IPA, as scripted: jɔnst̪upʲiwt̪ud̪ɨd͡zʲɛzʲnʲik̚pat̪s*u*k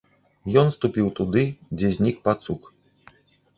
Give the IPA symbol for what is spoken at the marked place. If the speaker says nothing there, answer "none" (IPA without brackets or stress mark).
u